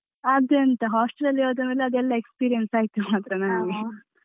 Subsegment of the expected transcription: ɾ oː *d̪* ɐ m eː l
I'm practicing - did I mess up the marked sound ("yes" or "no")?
no